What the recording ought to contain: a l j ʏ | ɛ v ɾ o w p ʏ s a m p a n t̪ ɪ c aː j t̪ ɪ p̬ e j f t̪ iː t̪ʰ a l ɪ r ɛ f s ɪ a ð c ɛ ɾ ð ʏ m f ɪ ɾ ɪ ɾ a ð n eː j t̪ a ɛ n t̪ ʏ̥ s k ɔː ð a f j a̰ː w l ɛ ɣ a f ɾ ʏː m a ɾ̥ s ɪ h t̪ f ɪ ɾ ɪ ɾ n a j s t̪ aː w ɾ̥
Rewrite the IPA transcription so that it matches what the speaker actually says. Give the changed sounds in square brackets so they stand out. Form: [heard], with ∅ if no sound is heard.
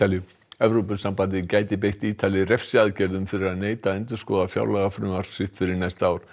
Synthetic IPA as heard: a l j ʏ | ɛ v ɾ o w p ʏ s a m p a n t̪ ɪ c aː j t̪ ɪ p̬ e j [h] t̪ iː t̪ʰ a l ɪ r ɛ f s ɪ a ð c ɛ ɾ ð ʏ m f ɪ ɾ ɪ ɾ a ð n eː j t̪ a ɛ n t̪ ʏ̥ s k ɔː ð a f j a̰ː w l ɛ ɣ a f ɾ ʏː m a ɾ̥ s ɪ h t̪ f ɪ ɾ ɪ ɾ n a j s t̪ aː w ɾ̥